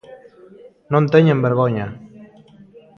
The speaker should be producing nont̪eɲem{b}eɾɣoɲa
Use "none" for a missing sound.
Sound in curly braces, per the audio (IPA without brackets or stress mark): b